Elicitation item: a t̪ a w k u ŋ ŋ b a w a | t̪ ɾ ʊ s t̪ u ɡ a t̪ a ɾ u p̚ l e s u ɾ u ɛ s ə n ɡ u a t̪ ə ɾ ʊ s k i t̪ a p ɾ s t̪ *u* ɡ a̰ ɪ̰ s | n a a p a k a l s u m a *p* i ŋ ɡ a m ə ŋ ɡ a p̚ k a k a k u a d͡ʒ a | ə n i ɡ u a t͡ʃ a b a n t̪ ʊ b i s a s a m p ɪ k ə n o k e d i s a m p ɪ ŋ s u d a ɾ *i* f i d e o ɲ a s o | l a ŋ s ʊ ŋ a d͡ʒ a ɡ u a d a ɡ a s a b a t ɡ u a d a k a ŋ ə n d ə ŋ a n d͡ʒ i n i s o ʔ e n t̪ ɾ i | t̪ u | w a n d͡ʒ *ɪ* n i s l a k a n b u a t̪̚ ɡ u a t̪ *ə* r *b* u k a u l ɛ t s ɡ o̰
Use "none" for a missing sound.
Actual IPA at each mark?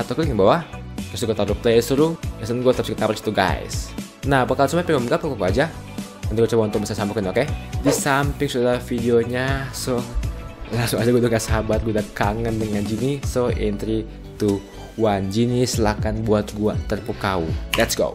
u, p, a, i, ə, p

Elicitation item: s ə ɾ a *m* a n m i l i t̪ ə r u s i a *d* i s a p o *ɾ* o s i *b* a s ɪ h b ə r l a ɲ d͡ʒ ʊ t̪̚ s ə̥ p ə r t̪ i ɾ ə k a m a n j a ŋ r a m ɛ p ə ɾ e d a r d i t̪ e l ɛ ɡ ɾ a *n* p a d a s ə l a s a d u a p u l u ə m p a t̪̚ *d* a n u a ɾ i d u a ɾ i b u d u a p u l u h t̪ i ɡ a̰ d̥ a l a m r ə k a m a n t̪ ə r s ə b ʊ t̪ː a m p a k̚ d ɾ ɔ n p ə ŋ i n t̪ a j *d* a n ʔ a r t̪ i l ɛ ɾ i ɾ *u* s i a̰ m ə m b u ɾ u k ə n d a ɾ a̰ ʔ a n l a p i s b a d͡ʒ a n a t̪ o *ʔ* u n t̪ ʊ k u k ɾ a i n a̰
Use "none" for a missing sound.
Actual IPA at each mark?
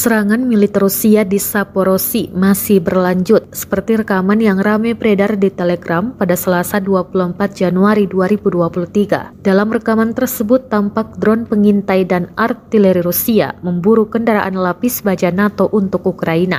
ŋ, d, ɾ, m, m, d͡ʒ, d, u, ʔ

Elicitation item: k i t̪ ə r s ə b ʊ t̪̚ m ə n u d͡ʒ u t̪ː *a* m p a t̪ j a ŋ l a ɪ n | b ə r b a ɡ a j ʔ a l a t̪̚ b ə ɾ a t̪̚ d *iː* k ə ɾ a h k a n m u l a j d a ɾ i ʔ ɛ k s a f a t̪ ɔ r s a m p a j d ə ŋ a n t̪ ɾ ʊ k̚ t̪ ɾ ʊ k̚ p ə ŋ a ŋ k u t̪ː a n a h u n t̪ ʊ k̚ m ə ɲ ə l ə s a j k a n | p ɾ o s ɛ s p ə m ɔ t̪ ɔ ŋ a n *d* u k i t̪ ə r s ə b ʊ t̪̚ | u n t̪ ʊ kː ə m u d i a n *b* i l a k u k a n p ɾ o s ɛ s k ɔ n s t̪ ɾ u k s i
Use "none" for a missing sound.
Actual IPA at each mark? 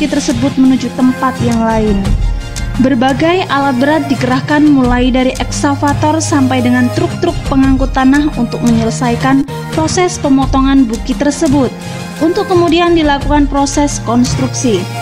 ə, i, b, d

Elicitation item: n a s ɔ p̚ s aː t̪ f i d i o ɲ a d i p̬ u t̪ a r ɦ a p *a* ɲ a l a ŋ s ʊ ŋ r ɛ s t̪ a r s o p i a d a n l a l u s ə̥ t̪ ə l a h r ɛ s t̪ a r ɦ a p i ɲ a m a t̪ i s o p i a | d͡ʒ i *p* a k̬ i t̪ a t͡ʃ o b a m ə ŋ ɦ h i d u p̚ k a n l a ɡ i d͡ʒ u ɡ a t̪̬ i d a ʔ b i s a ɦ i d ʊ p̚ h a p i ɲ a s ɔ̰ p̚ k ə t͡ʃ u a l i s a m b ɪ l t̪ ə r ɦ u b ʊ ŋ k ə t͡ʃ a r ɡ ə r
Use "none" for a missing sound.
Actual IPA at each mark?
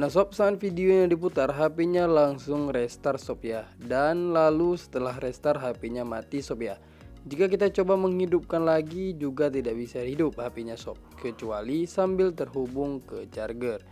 i, k

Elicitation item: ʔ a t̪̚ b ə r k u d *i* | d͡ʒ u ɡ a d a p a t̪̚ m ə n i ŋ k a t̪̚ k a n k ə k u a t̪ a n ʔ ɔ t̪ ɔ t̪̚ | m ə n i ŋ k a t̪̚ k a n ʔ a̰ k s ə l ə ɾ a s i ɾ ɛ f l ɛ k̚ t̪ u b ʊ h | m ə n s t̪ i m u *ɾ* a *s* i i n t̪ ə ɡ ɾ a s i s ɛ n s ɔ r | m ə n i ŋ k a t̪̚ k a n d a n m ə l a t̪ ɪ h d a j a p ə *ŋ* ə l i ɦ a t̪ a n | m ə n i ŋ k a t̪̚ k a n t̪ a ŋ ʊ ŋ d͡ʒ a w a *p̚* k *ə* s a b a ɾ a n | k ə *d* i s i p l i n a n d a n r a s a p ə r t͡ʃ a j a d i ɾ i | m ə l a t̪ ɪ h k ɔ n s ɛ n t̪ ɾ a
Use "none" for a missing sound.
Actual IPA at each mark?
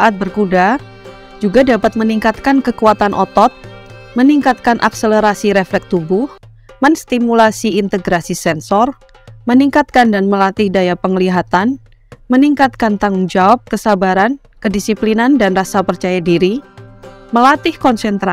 a, l, s, ŋ, p̚, ə, d

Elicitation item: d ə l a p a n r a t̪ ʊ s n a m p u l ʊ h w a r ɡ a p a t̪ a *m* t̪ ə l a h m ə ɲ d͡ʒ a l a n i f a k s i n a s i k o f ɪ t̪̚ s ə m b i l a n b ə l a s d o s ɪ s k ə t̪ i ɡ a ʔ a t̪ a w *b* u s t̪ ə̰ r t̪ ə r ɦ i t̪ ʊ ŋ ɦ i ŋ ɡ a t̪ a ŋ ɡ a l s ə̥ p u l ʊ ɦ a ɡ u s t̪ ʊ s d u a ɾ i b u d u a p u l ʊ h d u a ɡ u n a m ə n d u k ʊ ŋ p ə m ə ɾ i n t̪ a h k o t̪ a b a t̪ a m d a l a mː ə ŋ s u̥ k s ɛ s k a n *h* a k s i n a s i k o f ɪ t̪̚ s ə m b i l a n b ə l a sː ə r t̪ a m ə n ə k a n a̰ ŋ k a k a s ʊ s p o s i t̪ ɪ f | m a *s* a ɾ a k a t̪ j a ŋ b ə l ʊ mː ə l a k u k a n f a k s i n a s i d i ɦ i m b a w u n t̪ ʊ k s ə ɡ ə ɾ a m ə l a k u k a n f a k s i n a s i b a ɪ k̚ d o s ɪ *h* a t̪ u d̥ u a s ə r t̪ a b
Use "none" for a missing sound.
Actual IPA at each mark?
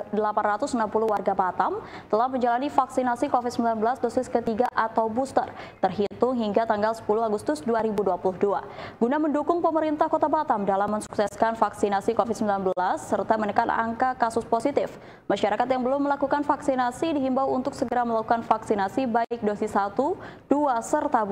m, b, f, ʃ, s

